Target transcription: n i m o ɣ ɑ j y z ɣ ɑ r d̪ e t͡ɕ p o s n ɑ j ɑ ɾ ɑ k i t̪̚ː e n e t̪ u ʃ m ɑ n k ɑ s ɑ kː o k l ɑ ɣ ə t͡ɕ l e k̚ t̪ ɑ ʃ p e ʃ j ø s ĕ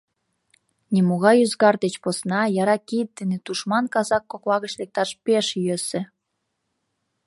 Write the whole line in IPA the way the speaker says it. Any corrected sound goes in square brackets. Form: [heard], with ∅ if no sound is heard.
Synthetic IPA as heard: n i m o ɣ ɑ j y z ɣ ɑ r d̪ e t͡ɕ p o s n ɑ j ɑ ɾ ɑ k i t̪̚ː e n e t̪ u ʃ m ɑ n k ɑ [z] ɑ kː o k l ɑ ɣ ə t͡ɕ l e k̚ t̪ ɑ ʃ p e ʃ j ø s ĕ